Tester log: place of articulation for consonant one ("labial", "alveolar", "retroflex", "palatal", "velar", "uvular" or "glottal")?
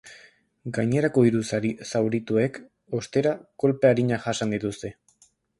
velar